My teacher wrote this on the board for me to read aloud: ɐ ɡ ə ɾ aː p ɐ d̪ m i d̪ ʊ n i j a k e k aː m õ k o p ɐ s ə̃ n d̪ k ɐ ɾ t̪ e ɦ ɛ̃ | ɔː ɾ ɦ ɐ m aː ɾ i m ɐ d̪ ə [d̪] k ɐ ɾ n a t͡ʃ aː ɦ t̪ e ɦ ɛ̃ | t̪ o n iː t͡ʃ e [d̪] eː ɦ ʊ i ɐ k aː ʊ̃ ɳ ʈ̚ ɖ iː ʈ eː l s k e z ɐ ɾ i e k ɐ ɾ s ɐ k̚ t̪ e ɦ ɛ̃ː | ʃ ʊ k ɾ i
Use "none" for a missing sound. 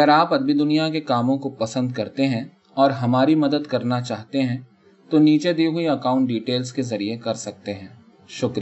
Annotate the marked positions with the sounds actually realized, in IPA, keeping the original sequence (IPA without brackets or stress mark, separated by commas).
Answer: d̪, d̪